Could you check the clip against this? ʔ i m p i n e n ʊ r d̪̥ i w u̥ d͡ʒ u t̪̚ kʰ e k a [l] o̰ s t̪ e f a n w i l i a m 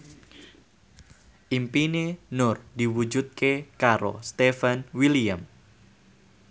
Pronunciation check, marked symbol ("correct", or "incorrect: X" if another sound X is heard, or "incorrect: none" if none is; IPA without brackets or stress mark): incorrect: ɾ